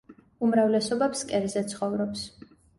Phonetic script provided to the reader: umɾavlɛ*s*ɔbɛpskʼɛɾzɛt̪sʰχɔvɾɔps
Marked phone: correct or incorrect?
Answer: correct